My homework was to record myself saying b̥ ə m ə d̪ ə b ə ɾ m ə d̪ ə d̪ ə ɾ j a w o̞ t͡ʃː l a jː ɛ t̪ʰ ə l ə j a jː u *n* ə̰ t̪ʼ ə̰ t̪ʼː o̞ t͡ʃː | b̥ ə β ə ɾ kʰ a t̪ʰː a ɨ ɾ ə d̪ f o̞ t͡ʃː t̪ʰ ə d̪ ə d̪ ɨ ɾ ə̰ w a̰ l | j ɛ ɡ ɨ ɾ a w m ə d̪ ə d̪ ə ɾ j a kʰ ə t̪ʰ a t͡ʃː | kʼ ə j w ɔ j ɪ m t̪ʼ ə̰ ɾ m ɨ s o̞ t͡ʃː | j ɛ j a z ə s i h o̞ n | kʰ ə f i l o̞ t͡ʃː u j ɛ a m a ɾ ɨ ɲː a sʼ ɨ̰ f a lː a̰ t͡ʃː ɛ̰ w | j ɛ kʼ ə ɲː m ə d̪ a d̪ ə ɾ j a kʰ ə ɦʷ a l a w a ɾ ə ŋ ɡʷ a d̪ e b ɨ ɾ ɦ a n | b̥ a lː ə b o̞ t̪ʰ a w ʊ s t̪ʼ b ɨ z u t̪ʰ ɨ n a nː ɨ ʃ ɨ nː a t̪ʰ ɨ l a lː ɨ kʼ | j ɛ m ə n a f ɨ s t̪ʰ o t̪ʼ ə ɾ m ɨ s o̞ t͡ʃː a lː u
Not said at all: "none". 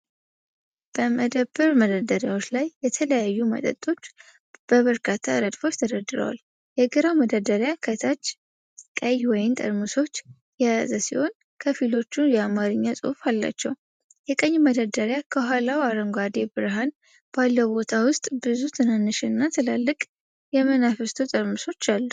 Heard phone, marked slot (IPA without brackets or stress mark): m